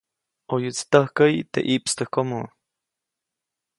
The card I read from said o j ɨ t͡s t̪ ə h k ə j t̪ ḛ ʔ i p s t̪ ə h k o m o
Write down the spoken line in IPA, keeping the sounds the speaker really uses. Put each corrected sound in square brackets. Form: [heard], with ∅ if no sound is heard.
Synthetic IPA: o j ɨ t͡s t̪ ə h k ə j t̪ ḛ ʔ i p s t̪ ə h k o m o